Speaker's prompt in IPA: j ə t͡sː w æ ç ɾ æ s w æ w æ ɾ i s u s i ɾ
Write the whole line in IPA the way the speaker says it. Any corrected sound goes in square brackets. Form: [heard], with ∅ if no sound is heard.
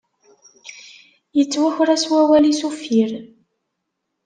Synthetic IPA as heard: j ə t͡sː w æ ç ɾ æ s w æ w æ [l] i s u [f] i ɾ